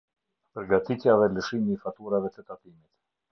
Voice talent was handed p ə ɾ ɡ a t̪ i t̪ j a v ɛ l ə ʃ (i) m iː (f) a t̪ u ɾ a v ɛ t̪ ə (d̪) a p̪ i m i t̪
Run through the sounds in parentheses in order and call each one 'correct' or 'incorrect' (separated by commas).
correct, correct, incorrect